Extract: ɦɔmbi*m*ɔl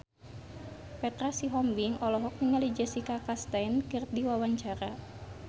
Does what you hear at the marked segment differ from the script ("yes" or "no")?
yes